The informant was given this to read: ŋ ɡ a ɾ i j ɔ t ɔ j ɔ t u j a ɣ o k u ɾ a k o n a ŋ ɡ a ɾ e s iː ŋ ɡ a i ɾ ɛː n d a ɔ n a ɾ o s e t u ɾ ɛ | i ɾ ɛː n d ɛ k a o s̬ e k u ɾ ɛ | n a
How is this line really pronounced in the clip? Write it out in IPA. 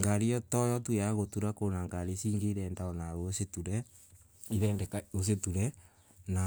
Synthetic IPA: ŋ ɡ a ɾ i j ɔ t ɔ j ɔ t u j a ɣ o t u ɾ a k o n a ŋ ɡ a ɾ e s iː ŋ ɡ e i ɾ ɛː n d a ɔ n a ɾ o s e t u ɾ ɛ | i ɾ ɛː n d ɛ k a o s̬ e t u ɾ ɛ | n a